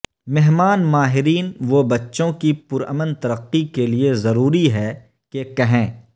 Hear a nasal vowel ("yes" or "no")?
yes